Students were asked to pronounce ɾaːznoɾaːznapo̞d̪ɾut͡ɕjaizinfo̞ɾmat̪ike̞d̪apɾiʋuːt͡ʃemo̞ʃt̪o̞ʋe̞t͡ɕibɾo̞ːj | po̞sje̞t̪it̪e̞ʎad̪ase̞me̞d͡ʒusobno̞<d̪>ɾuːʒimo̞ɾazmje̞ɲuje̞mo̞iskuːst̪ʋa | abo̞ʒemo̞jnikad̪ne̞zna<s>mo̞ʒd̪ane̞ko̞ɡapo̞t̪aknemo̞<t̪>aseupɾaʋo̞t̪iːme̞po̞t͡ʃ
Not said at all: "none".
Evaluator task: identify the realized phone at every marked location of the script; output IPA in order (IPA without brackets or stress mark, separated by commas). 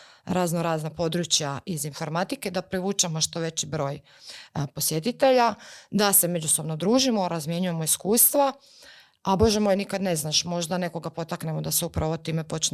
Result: d̪, ʃ, d̪